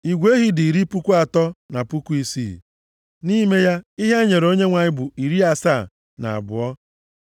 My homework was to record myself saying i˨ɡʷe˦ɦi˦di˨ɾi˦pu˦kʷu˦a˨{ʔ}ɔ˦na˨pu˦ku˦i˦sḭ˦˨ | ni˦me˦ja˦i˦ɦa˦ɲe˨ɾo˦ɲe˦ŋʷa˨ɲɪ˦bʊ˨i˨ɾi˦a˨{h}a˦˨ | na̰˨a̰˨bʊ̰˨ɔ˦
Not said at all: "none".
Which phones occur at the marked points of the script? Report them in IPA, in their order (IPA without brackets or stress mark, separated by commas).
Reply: t, s